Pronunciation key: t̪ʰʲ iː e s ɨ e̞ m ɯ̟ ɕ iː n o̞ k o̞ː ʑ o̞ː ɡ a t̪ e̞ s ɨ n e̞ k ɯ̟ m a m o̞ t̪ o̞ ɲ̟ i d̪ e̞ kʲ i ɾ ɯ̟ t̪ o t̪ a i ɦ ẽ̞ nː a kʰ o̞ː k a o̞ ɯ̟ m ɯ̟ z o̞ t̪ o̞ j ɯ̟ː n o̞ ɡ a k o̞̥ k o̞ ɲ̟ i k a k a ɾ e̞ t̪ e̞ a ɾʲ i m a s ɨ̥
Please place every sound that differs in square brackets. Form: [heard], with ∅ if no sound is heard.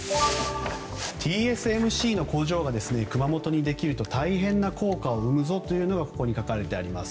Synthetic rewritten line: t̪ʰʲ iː e s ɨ e̞ m ɯ̟ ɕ iː n o̞ k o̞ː ʑ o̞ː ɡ a [d̪] e̞ s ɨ n e̞ k ɯ̟ m a m o̞ t̪ o̞ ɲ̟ i d̪ e̞ kʲ i ɾ ɯ̟ t̪ o t̪ a i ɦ ẽ̞ nː a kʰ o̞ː k a o̞ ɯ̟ m ɯ̟ z o̞ t̪ o̞ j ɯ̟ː n o̞ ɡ a k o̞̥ k o̞ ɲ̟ i k a k a ɾ e̞ t̪ e̞ a ɾʲ i m a s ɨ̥